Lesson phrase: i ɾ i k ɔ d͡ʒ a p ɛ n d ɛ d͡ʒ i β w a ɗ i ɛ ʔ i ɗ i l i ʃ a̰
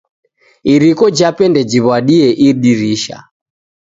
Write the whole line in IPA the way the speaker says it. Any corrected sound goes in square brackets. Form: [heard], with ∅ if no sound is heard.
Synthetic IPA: i ɾ i k ɔ d͡ʒ a p ɛ n d ɛ d͡ʒ i β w a ɗ i ɛ ʔ i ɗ i [ɾ] i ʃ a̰